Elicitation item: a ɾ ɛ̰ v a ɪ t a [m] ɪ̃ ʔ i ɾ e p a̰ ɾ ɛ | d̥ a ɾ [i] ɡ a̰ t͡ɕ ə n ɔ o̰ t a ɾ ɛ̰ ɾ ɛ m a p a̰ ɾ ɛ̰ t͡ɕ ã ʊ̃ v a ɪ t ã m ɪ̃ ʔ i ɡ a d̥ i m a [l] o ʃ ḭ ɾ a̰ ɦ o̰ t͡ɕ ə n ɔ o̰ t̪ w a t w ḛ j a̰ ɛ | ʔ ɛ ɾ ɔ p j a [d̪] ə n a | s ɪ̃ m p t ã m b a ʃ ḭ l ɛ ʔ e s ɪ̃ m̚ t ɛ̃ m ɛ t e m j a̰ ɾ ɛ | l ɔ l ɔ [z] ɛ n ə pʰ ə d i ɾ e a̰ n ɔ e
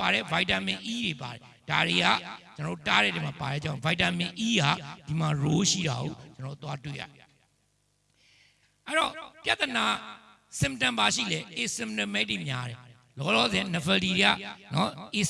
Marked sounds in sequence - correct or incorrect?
correct, incorrect, incorrect, incorrect, correct

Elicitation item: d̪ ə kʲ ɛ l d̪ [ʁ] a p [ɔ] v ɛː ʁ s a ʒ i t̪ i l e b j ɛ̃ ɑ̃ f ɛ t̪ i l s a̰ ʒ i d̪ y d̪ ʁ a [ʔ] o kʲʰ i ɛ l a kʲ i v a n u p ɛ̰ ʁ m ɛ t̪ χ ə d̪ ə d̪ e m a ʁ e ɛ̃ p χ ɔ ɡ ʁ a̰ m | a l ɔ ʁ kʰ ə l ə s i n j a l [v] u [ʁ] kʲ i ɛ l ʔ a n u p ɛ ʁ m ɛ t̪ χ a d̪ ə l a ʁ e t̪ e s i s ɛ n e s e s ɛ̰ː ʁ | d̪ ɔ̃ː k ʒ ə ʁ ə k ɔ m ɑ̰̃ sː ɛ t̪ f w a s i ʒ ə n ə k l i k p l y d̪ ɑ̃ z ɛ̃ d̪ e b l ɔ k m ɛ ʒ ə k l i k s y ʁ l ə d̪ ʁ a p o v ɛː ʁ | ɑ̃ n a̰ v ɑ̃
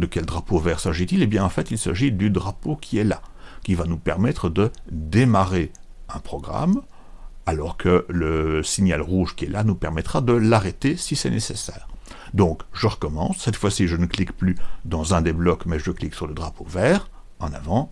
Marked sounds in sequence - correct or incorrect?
correct, incorrect, incorrect, incorrect, incorrect

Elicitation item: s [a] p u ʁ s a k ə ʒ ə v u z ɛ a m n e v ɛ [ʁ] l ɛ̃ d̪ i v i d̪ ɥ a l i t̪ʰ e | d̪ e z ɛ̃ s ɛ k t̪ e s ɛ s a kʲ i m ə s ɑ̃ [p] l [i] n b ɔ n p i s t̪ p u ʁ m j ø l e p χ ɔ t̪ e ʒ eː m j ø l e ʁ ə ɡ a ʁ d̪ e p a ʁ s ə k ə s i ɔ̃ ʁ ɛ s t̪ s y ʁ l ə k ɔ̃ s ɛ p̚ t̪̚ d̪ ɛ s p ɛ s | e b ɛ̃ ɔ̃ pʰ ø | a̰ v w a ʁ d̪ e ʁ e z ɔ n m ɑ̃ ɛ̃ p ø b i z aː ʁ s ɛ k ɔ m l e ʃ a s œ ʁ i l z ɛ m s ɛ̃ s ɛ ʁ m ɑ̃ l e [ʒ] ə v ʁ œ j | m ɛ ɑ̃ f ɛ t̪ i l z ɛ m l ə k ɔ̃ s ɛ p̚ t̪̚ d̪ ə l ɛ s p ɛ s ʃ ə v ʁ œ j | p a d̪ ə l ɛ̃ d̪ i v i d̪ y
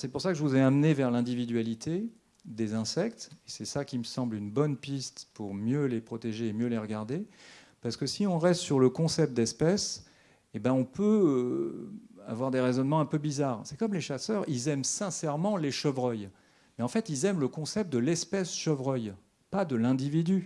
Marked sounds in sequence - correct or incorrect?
incorrect, correct, incorrect, incorrect, incorrect

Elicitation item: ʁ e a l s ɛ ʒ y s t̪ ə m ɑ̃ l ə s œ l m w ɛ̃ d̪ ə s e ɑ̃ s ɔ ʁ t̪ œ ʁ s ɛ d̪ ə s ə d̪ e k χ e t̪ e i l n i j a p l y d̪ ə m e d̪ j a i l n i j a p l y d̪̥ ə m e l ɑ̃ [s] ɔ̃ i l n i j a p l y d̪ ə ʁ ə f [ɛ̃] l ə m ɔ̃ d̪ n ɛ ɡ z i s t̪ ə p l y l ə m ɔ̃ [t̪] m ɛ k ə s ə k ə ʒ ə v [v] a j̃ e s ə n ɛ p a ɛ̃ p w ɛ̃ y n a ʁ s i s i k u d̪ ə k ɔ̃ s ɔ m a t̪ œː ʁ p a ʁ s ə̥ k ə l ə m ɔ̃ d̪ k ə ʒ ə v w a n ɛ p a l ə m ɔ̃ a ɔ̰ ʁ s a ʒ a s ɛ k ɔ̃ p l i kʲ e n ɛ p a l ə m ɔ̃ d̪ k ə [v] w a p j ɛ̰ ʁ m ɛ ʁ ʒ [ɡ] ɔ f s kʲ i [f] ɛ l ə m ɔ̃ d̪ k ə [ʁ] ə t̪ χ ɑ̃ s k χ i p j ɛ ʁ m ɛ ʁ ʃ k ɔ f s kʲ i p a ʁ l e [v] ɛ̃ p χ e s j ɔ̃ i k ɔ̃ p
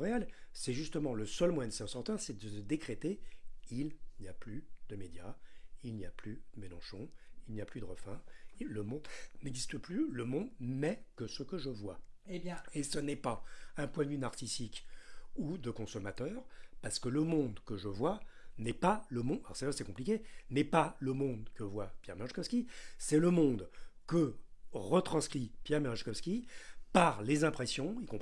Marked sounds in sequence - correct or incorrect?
incorrect, correct, incorrect, incorrect, correct, incorrect, incorrect, correct, incorrect

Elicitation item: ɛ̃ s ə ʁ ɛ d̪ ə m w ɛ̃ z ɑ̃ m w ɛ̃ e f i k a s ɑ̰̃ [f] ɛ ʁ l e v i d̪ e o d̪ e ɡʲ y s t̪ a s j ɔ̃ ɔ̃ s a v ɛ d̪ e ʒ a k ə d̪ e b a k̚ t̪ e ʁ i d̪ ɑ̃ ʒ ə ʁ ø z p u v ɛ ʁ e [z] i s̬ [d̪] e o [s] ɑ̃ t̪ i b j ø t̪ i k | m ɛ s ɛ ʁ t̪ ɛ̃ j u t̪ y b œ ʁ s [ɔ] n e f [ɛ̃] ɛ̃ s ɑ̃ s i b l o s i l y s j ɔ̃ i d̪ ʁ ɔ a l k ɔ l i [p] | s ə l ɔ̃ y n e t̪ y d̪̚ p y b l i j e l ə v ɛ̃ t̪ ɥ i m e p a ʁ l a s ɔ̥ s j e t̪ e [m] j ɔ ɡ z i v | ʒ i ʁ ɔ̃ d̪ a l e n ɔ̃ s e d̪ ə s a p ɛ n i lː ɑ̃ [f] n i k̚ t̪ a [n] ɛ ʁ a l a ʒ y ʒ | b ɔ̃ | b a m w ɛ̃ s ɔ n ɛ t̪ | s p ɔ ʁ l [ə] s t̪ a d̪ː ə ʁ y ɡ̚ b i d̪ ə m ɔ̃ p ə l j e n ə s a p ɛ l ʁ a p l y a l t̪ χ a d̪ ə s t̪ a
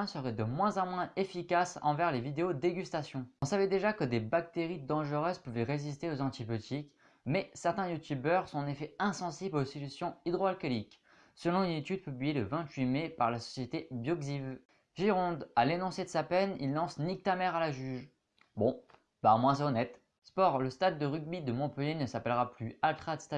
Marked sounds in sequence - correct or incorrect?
incorrect, correct, incorrect, incorrect, incorrect, incorrect, incorrect, incorrect, incorrect, incorrect, correct

